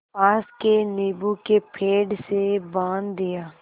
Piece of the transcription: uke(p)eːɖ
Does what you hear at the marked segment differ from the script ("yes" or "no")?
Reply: yes